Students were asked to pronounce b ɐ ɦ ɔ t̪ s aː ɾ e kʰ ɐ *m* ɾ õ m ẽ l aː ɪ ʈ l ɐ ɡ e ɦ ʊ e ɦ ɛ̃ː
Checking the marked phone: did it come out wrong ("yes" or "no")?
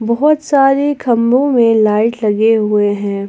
no